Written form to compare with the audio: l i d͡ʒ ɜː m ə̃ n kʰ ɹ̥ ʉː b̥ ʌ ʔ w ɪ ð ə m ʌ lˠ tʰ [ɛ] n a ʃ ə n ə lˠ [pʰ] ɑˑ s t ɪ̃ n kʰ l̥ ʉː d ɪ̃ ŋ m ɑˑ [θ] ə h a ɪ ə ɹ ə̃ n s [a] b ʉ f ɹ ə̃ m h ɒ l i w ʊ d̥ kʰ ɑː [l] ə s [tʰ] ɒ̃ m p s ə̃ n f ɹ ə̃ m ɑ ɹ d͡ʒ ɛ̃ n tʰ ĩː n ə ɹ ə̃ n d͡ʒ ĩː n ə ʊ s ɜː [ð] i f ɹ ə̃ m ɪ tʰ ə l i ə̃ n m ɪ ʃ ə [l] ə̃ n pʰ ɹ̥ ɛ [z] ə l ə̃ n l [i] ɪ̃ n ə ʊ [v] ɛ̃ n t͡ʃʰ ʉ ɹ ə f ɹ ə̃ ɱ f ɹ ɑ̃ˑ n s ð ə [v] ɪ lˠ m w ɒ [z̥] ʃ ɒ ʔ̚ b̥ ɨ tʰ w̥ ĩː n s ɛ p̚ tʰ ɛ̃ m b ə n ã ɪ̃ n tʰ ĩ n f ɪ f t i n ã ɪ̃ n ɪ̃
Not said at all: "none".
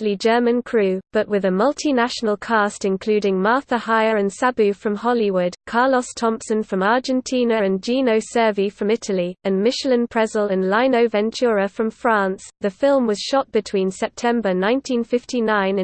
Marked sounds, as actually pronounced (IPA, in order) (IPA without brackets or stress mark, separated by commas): i, kʰ, θ, a, l, tʰ, v, l, z, a, v, f, z̥